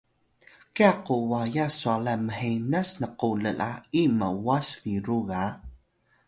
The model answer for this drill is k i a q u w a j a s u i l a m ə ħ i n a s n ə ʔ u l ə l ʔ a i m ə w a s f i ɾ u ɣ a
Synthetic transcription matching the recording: k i a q u w a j a s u a l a m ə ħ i n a s n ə q u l ə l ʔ a i m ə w a s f i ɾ u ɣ a